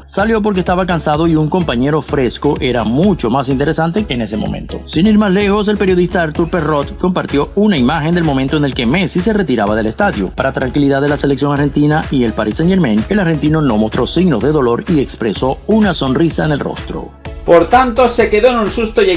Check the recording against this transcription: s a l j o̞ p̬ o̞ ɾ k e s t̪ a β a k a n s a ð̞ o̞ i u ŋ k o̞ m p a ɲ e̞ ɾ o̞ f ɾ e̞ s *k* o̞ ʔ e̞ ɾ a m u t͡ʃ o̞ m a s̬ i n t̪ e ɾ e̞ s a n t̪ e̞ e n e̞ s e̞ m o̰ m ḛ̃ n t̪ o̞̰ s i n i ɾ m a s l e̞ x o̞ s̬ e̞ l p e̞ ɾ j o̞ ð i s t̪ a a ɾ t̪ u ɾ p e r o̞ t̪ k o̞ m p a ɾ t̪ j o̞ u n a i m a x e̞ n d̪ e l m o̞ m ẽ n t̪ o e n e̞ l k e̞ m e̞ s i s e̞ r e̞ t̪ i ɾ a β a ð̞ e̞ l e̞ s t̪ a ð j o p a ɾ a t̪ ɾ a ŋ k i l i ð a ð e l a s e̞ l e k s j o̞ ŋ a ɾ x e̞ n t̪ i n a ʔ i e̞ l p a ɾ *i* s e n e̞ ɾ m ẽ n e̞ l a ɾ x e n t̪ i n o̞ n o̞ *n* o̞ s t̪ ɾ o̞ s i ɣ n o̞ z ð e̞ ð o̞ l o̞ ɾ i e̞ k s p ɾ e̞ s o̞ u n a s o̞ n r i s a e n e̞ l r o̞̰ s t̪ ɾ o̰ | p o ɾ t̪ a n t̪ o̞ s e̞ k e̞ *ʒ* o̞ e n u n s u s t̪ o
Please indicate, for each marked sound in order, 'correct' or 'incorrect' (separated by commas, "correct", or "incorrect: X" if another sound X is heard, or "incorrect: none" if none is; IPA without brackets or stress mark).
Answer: correct, correct, incorrect: m, incorrect: ð